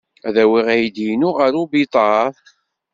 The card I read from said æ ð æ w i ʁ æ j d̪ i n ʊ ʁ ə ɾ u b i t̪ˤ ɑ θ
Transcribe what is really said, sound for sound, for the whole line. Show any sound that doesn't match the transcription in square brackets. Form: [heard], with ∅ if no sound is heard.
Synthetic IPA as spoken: æ ð æ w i ʁ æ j d̪ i n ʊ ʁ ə ɾ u b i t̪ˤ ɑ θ